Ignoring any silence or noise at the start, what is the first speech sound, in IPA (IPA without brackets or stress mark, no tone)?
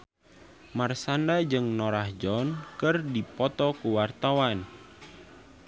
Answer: m